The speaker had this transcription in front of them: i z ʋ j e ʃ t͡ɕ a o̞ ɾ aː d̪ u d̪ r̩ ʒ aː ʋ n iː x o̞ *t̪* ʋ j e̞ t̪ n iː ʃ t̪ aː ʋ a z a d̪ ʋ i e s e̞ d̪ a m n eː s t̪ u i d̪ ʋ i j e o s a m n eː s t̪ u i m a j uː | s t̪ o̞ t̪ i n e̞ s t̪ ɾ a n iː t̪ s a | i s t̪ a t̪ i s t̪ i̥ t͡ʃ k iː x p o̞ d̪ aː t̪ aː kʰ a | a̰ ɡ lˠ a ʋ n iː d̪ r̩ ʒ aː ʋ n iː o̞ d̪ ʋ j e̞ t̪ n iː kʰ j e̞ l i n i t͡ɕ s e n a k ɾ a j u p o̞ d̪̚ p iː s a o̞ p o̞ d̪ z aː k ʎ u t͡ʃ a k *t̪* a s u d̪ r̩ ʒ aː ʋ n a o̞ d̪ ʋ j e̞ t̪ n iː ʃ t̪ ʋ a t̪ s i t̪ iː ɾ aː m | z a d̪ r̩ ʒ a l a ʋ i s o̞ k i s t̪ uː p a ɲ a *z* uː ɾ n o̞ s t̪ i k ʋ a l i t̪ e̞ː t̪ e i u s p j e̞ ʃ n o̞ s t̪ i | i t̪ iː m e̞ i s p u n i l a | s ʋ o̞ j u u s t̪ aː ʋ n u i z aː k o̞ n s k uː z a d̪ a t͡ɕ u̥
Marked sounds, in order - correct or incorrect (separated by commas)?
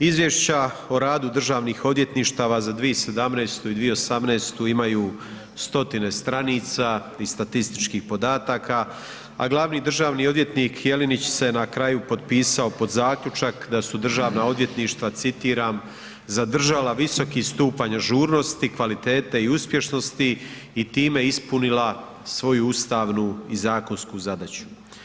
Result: incorrect, incorrect, incorrect